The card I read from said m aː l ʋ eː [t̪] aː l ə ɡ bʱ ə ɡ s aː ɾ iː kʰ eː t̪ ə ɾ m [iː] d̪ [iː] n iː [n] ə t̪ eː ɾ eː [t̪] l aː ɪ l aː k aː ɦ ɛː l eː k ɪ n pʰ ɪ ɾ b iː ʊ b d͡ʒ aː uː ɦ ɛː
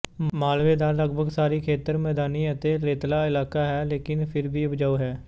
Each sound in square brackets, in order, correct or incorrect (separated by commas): incorrect, incorrect, incorrect, incorrect, correct